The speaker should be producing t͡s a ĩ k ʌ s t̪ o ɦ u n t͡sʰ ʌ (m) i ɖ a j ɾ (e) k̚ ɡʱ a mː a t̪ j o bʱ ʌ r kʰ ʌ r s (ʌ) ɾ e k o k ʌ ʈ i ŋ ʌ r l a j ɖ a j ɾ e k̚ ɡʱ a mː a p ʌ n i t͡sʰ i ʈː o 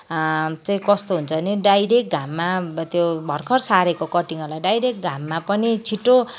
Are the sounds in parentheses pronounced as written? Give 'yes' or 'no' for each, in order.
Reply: no, yes, no

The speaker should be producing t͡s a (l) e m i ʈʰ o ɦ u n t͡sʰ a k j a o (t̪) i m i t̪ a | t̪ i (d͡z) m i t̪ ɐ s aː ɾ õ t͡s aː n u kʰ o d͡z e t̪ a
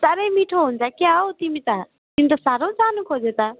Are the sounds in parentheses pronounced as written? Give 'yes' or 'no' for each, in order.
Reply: no, yes, no

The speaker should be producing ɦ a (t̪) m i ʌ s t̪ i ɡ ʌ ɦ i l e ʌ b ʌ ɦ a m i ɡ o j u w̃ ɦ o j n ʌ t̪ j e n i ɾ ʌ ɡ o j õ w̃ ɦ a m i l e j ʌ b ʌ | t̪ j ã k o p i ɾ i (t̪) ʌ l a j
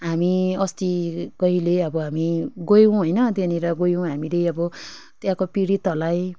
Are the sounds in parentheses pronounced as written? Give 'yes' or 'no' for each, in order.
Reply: no, yes

